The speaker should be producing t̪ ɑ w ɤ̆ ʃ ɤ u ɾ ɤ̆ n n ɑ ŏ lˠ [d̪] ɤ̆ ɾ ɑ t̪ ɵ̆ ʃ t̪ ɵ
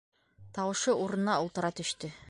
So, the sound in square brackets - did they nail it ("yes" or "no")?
no